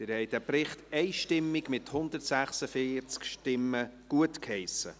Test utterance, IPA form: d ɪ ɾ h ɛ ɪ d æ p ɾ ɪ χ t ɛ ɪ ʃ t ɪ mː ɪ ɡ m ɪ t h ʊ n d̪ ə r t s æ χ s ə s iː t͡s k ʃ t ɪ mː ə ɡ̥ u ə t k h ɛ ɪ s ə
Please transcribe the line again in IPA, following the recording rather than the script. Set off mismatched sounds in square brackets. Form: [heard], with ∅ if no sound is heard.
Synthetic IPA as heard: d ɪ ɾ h ɛ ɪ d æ p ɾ ɪ χ t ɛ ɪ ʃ t ɪ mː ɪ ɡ m ɪ t h ʊ n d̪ ə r t s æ χ s ə [f] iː t͡s k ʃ t ɪ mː ə ɡ̥ u ə t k h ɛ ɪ s ə